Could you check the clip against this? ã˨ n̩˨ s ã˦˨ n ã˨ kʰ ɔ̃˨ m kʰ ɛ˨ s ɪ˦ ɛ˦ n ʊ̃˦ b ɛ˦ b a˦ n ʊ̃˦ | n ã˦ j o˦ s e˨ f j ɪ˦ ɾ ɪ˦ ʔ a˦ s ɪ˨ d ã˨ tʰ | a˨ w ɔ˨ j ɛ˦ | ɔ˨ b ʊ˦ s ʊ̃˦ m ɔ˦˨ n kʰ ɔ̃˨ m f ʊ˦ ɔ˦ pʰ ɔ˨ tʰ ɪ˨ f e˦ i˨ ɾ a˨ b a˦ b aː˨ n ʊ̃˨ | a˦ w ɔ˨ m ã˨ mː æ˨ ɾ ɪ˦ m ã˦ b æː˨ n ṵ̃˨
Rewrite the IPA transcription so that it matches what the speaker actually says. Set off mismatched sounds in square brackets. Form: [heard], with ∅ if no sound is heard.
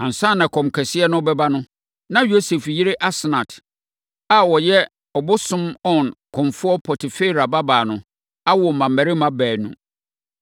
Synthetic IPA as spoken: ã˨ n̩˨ s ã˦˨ n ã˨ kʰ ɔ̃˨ m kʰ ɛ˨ s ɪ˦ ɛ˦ n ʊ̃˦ b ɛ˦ b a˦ n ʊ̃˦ | n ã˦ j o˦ s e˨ f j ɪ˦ ɾ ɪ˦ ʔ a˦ s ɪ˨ [n] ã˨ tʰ | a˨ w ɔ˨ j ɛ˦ | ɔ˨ b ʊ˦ s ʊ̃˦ m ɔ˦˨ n kʰ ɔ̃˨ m f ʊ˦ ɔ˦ pʰ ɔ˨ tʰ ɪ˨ f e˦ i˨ ɾ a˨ b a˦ b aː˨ n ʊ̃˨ | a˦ w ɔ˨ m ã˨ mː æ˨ ɾ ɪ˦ m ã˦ b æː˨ n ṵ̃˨